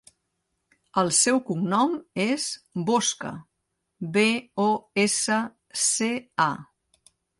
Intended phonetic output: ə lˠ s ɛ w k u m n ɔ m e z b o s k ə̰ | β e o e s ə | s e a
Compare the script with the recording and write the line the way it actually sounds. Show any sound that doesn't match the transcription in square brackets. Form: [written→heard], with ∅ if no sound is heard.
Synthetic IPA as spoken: ə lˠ s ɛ w k u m n ɔ m e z b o s k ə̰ | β e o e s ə | s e a